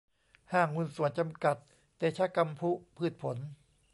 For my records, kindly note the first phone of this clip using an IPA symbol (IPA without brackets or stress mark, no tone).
h